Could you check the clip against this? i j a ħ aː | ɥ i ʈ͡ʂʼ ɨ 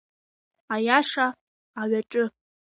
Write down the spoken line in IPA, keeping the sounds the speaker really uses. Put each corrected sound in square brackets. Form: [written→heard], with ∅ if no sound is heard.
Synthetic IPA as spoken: [i→a] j a [ħ→ʂ] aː | ɥ [i→a] ʈ͡ʂʼ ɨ